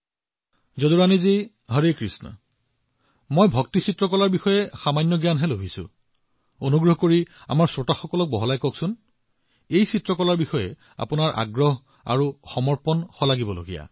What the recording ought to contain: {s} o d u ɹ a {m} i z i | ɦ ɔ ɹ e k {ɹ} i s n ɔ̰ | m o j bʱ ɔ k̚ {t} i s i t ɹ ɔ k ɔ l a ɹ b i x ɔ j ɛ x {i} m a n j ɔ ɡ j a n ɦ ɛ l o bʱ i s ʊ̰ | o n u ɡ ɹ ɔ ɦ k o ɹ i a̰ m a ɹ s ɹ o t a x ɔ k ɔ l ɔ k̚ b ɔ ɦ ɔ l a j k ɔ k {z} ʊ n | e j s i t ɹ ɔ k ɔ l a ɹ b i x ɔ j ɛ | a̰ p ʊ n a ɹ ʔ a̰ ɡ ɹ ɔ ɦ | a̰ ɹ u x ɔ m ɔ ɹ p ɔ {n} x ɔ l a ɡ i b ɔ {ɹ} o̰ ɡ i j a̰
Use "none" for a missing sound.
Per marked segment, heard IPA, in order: z, n, ɹ, t, a, s, n, l

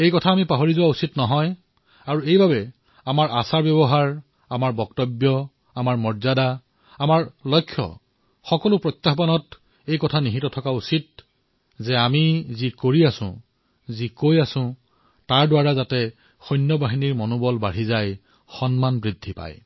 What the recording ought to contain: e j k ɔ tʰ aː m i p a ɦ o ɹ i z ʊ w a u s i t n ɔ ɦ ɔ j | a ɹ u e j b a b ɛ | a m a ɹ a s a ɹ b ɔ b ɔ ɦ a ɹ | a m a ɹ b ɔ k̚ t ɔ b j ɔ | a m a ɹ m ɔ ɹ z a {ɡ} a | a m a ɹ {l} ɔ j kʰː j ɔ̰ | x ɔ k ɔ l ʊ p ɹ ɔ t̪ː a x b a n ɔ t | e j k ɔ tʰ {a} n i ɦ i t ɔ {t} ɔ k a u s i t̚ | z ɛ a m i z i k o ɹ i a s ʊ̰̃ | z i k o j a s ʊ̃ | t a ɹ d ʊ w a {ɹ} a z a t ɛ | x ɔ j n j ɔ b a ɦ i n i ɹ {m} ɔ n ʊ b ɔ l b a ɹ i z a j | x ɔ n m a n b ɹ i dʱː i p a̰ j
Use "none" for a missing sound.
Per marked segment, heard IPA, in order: d, l, a, tʰ, ɹ, m

